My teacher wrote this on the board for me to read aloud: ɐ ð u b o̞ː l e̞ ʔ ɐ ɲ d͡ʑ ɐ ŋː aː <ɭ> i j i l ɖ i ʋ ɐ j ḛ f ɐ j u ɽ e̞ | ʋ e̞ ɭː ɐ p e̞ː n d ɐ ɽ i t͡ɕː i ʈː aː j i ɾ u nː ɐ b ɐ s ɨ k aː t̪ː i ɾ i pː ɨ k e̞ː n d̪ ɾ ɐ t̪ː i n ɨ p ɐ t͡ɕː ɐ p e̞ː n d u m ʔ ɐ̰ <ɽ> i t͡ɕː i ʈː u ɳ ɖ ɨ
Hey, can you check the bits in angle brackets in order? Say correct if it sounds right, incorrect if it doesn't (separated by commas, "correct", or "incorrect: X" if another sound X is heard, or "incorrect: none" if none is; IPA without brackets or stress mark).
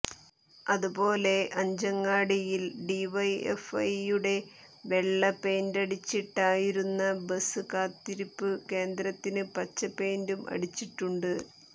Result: incorrect: ɽ, correct